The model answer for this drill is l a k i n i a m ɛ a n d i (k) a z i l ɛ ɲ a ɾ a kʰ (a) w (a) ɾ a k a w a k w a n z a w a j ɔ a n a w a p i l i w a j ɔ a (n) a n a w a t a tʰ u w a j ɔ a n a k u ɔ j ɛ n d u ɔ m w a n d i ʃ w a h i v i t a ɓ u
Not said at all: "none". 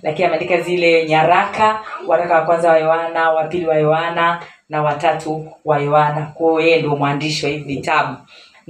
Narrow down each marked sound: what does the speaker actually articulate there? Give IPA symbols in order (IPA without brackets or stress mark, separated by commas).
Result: k, a, a, n